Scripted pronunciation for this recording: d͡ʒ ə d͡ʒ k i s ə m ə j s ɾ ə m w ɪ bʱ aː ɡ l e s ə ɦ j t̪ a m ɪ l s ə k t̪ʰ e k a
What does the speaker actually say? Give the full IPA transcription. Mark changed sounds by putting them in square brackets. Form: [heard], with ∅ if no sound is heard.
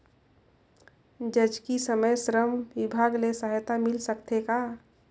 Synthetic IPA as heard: d͡ʒ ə d͡ʒ k i s ə m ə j s ɾ ə m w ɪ bʱ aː ɡ l e s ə ɦ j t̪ a m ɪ l s ə k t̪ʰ e k a

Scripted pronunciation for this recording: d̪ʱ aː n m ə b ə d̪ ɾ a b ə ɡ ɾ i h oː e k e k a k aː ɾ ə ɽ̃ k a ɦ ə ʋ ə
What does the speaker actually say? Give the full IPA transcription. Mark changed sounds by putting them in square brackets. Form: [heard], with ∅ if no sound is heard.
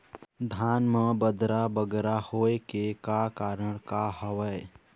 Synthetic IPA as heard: d̪ʱ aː n m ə b ə d̪ ɾ a b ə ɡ ɾ [a] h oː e k e k a k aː ɾ ə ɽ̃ k a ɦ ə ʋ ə

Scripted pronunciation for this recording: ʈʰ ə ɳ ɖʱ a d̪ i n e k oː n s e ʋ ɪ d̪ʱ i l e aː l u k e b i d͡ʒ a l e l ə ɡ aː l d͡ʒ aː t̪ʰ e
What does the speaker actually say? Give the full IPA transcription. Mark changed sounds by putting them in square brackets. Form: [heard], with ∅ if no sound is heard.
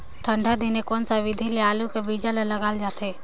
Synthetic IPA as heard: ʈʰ ə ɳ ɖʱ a d̪ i n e k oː n s [a] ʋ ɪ d̪ʱ i l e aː l u k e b i d͡ʒ a l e l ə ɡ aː l d͡ʒ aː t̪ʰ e

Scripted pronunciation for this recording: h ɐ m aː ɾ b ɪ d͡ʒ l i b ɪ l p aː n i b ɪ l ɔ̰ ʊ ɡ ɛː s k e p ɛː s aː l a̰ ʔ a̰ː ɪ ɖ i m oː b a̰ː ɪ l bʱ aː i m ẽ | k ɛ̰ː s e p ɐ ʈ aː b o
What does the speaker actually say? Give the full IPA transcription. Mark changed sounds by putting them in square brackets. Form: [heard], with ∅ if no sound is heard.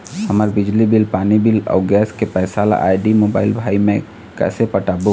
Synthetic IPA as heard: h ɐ m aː ɾ b ɪ d͡ʒ l i b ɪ l p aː n i b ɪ l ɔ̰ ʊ ɡ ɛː s k e p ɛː s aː l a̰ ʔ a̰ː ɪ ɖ i m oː b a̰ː ɪ l bʱ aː i m ẽ | k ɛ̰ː s e p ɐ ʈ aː b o

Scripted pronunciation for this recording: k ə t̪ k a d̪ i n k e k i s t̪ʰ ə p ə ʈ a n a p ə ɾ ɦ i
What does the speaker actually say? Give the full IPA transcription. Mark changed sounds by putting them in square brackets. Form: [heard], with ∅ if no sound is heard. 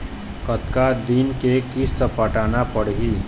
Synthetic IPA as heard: k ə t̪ k a d̪ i n k e k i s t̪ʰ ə p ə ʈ a n a p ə [ɽ] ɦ i

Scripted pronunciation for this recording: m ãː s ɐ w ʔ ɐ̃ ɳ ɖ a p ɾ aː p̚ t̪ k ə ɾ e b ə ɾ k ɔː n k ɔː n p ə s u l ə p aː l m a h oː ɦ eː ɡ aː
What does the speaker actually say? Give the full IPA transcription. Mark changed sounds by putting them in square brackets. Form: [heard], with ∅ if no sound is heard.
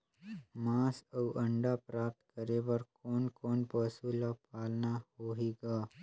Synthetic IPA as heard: m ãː s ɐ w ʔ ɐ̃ ɳ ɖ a p ɾ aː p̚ t̪ k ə ɾ e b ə ɾ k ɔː n k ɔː n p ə s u l [a] p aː l [n] a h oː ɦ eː ɡ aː

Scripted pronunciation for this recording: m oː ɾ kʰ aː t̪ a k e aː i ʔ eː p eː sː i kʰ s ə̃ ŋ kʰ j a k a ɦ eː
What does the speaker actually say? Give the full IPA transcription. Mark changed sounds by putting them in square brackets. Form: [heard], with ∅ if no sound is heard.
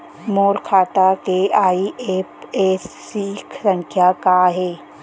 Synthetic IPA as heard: m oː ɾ kʰ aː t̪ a k e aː i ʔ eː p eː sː i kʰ s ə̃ ŋ kʰ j a k a ɦ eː

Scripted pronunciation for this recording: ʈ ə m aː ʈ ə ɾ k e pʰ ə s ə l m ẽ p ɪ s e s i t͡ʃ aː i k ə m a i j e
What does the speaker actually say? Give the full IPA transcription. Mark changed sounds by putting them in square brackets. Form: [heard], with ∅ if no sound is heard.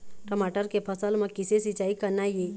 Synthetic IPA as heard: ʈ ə m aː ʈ ə ɾ k e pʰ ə s ə l m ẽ [k] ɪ s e s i t͡ʃ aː i k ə [n] a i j e

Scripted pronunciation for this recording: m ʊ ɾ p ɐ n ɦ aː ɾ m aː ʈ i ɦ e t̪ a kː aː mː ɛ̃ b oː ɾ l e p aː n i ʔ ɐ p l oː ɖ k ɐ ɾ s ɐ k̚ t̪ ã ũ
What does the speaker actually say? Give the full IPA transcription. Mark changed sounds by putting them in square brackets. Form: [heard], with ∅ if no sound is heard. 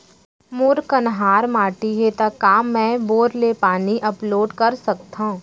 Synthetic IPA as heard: m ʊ ɾ [k] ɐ n ɦ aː ɾ m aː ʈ i ɦ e t̪ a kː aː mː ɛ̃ b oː ɾ l e p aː n i ʔ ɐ p l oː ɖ k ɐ ɾ s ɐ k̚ t̪ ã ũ

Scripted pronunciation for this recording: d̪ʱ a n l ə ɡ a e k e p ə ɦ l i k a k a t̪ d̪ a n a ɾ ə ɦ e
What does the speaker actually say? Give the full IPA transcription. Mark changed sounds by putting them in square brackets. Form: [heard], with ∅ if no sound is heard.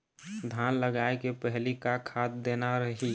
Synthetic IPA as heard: d̪ʱ a n l ə ɡ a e k e p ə ɦ l i k a [kʰ] a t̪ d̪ [e] n a ɾ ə ɦ [i]

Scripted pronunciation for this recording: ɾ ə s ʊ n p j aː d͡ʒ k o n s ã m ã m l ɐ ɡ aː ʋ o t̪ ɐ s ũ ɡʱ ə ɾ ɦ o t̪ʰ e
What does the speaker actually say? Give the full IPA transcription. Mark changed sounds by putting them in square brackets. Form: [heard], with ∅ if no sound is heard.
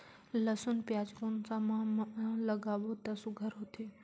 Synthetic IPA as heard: [l] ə s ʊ n p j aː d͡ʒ k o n s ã m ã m l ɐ ɡ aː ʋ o t̪ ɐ s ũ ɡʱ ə ɾ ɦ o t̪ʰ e

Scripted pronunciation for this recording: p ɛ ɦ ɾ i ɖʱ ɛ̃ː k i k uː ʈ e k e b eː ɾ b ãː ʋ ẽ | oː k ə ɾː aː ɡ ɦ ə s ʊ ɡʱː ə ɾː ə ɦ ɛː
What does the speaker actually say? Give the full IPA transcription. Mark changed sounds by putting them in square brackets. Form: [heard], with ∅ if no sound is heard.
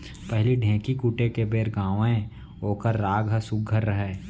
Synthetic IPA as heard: p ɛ ɦ [l] i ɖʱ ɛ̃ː k i k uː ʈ e k e b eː ɾ [ɡ] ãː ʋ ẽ | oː k ə ɾː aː ɡ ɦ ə s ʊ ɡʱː ə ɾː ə ɦ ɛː

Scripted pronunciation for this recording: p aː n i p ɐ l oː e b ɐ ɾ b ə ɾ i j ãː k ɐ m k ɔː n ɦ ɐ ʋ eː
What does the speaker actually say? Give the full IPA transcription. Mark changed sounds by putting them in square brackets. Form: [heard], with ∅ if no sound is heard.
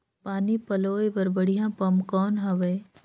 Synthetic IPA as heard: p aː n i p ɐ l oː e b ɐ ɾ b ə [ɽ] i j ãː [p] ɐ m k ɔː n ɦ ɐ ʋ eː

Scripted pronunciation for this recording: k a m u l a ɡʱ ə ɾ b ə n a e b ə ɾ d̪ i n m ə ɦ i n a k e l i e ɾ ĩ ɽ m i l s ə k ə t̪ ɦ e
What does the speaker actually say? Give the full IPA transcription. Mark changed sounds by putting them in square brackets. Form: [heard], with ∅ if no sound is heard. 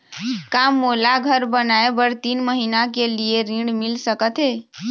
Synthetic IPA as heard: k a m [o] l a ɡʱ ə ɾ b ə n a e b ə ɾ [t̪] i n m ə ɦ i n a k e l i e ɾ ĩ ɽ m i l s ə k ə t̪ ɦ e

